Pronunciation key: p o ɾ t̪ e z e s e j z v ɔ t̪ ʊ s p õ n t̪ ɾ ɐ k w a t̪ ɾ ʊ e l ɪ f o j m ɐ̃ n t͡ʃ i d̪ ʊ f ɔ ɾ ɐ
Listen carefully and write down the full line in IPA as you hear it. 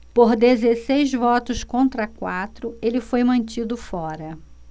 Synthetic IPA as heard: p o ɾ d̪ e z e s e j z v ɔ t̪ ʊ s k õ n t̪ ɾ ɐ k w a t̪ ɾ ʊ e l ɪ f o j m ɐ̃ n t͡ʃ i d̪ ʊ f ɔ ɾ ɐ